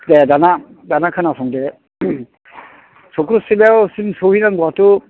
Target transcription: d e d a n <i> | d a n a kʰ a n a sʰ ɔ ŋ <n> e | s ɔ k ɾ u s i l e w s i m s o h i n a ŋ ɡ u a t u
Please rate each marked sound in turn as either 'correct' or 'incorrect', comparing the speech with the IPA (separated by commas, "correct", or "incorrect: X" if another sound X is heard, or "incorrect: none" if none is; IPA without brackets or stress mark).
incorrect: a, incorrect: d